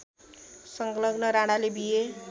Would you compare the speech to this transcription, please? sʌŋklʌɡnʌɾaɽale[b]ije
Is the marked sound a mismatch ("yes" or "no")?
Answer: no